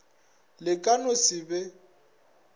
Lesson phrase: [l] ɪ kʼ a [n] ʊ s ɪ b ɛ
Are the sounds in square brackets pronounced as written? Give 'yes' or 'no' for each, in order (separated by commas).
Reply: yes, yes